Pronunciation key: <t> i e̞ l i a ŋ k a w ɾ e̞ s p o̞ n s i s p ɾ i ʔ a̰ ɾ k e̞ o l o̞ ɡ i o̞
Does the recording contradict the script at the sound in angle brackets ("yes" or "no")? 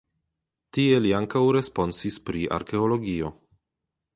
no